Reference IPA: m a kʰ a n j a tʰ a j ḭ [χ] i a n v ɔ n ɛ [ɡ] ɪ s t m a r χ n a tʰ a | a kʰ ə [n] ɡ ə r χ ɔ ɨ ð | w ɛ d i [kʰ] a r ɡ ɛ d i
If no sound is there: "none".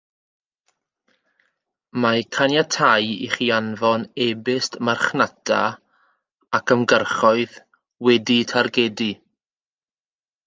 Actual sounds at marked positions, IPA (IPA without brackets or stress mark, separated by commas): χ, b, m, tʰ